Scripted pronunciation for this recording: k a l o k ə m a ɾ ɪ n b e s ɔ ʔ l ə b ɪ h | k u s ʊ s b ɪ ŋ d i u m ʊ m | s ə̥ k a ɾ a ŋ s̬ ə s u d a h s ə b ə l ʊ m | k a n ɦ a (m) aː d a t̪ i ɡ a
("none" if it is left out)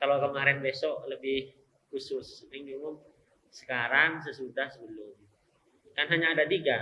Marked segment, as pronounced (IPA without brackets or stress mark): ɲ